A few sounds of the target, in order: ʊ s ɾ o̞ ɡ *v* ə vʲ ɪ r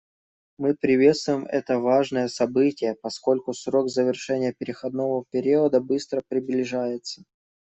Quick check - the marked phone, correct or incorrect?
incorrect